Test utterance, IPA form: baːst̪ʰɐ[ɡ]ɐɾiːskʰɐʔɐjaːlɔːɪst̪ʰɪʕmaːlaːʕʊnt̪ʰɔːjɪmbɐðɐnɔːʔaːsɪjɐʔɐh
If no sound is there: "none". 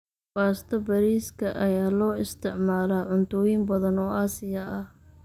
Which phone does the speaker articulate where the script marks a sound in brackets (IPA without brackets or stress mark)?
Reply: b